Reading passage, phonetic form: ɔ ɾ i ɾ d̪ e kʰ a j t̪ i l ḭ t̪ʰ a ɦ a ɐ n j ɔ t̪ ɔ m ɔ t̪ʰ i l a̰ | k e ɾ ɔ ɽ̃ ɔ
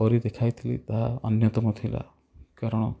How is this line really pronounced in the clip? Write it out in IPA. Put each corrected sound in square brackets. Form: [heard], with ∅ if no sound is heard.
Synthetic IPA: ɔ ɾ i [∅] d̪ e kʰ a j [t̪ʰ] i l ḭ [t̪] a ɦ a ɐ n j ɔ t̪ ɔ m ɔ t̪ʰ i l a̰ | k [a] ɾ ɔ ɽ̃ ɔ

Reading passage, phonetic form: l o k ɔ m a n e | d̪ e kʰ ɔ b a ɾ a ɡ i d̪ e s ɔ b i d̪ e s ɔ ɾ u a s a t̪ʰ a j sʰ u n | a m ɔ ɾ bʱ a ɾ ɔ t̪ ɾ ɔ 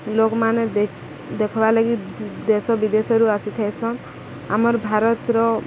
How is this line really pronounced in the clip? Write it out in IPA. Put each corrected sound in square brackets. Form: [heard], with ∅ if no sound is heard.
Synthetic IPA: l o k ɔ m a n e | d̪ e kʰ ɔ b a [l] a ɡ i d̪ e s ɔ b i d̪ e s ɔ ɾ u a s [i] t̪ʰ a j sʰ [ɔ] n | a m ɔ ɾ bʱ a ɾ ɔ t̪ ɾ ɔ

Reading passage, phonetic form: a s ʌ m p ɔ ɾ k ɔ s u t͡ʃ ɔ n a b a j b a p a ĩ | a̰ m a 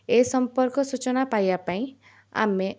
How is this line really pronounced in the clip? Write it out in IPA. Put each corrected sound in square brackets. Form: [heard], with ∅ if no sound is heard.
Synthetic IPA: [e] s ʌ m p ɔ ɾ k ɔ s u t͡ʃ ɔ n a [p] a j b a p a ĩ | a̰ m [e]

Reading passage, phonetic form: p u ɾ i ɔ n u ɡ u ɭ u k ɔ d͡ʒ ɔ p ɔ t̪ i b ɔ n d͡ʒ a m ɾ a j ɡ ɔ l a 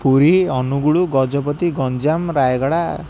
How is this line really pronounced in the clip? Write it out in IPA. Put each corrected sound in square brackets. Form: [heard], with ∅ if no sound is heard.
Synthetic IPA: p u ɾ i ɔ n u ɡ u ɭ u [ɡ] ɔ d͡ʒ ɔ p ɔ t̪ i [ɡ] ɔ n d͡ʒ a m ɾ a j ɡ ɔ [ɽ] a

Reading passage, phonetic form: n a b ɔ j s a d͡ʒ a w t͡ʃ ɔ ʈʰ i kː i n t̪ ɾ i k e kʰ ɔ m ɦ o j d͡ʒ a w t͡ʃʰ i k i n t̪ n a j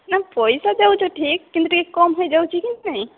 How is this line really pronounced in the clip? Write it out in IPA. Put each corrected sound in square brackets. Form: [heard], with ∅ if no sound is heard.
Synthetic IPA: n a [p] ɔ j s a d͡ʒ a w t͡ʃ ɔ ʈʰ i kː i n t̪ ɾ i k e [k] ɔ m ɦ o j d͡ʒ a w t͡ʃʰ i k i n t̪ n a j

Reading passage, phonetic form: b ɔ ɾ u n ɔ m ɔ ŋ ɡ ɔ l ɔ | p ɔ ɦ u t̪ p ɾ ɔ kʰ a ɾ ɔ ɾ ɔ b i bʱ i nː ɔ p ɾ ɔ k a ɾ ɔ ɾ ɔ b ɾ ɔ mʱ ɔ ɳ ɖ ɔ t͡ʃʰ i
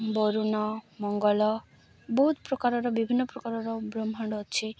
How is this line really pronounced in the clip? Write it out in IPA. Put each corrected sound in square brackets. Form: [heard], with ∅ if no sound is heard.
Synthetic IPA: b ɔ ɾ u n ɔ m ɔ ŋ ɡ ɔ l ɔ | [b] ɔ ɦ u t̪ p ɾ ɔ [k] a ɾ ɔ ɾ ɔ b i bʱ i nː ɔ p ɾ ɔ k a ɾ ɔ ɾ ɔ b ɾ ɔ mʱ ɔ ɳ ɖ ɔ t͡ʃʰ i

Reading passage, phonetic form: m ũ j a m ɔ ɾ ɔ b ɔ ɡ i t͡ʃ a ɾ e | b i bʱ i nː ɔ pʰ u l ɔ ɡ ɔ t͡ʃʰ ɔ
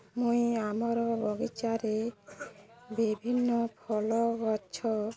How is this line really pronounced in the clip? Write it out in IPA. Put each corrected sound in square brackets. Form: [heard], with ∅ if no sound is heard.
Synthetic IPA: m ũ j a m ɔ ɾ ɔ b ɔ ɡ i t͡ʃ a ɾ e | b i bʱ i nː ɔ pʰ [ɔ] l ɔ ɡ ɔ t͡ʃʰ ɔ

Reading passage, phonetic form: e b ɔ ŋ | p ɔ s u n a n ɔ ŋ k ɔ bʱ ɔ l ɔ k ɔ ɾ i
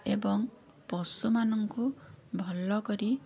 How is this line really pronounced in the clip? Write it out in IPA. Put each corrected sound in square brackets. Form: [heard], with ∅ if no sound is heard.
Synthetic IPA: e b ɔ ŋ | p ɔ s u [m] a n ɔ ŋ k [u] bʱ ɔ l ɔ k ɔ ɾ i

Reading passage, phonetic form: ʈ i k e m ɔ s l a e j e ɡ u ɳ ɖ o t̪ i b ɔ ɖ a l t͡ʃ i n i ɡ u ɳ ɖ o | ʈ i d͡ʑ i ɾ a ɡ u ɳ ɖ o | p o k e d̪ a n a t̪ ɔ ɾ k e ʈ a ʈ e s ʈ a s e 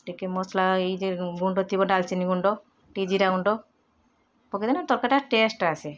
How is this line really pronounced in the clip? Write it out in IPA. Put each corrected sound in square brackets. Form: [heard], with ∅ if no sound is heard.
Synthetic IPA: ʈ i k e m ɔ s l a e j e ɡ u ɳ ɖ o t̪ i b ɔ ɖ a l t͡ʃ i n i ɡ u ɳ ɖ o | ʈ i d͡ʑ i ɾ a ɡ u ɳ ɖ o | p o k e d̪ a n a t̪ ɔ ɾ k [a] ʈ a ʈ e s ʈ a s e

